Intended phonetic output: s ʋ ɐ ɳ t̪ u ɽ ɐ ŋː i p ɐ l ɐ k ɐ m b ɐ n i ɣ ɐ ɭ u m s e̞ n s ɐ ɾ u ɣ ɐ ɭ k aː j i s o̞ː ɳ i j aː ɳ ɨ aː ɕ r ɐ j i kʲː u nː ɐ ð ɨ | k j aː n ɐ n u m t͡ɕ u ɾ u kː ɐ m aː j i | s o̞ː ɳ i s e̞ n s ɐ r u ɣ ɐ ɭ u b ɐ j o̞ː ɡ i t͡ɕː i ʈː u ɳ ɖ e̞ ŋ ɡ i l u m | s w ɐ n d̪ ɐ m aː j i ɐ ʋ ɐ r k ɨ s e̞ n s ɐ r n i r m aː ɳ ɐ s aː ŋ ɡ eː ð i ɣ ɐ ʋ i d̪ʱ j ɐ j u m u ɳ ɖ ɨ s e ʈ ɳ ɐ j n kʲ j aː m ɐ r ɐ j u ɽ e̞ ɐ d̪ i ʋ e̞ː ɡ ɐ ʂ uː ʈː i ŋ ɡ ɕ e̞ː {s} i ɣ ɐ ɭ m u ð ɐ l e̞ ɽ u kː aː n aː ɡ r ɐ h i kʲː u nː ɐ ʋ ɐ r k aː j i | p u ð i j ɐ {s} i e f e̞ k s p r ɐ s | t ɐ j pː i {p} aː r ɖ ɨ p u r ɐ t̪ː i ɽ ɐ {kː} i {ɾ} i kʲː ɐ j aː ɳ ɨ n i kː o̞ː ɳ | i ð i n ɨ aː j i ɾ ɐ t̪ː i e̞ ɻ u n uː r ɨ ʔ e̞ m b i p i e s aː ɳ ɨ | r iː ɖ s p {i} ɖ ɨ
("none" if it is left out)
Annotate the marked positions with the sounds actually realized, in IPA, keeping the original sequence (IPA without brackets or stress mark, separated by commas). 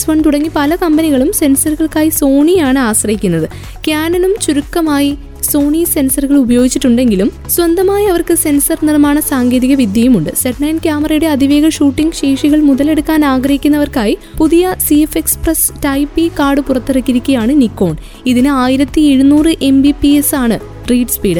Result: ʂ, s, k, kː, ɾ, iː